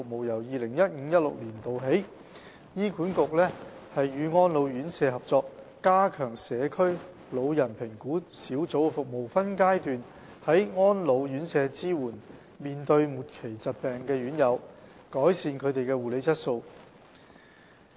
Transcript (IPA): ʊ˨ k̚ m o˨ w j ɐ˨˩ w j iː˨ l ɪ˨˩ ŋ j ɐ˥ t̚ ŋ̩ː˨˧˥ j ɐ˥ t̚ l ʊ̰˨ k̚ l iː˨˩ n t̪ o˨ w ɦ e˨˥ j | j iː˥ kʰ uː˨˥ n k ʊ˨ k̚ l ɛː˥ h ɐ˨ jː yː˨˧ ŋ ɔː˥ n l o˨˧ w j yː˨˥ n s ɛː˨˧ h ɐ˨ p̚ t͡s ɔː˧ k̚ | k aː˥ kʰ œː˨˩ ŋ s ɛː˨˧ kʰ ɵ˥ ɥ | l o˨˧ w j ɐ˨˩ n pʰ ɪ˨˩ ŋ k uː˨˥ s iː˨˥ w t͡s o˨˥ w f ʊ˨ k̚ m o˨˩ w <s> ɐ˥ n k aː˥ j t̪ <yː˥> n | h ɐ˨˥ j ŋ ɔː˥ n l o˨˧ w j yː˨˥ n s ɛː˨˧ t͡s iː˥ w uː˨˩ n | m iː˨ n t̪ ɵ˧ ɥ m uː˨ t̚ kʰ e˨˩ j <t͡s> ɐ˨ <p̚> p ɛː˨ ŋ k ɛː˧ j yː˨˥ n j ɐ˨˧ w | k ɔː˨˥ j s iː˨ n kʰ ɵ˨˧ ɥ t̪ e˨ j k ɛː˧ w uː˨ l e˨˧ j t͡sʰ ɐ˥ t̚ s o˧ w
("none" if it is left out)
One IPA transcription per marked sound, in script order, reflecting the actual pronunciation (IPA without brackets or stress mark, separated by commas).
f, yː˨, t͡s, t̚